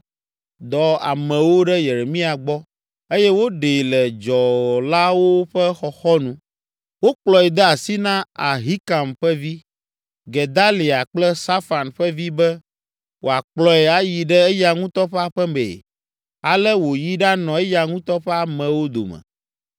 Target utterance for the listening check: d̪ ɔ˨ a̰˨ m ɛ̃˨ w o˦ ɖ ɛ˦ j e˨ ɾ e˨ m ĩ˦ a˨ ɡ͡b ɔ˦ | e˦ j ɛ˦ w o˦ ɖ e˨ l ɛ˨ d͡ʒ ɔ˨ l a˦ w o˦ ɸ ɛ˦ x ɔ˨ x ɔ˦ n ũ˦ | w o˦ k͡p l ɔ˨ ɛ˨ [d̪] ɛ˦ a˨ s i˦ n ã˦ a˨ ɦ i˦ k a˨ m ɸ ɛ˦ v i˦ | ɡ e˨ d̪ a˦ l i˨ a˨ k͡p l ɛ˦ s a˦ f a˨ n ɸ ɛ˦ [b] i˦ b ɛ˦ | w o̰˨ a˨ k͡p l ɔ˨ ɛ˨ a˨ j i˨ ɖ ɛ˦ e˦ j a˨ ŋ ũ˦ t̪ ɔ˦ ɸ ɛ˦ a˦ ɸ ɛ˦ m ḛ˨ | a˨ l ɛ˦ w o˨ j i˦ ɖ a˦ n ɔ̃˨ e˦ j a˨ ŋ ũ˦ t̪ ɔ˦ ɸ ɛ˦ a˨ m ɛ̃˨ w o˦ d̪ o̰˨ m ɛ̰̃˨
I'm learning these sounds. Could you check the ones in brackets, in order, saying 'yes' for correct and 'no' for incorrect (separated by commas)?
yes, no